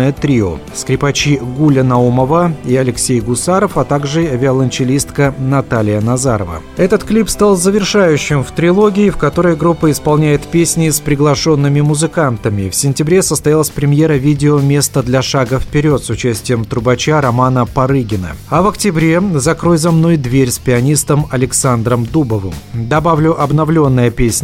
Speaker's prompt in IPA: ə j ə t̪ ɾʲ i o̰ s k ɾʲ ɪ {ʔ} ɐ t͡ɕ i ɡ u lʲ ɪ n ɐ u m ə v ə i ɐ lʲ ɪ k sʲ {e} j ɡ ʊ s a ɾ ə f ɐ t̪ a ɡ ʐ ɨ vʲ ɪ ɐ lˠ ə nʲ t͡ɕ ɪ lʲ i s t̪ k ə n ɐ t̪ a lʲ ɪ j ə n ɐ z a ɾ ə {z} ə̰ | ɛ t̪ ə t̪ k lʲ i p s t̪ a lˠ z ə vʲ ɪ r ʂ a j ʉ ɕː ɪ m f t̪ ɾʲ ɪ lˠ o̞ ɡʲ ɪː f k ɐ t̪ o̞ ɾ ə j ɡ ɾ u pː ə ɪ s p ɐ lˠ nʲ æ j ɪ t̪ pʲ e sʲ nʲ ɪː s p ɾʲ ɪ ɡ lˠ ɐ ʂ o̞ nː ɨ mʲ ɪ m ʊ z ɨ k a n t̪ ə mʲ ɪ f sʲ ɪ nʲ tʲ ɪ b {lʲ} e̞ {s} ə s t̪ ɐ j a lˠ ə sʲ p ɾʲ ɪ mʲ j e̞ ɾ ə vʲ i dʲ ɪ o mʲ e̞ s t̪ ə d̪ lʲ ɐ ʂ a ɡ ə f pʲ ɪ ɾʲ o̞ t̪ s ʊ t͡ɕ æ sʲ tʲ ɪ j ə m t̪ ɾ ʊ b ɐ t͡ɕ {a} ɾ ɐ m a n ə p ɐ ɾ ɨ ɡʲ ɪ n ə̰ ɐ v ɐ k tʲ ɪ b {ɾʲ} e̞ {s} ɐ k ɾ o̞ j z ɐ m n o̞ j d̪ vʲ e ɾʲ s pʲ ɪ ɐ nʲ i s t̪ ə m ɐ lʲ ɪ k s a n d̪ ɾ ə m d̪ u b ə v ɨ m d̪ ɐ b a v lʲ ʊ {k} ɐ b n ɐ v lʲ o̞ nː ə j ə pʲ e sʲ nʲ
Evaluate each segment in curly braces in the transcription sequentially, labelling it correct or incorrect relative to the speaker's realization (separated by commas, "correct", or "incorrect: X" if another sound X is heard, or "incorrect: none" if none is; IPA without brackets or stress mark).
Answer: incorrect: p, correct, incorrect: v, incorrect: ɾʲ, correct, correct, correct, incorrect: z, incorrect: ʔ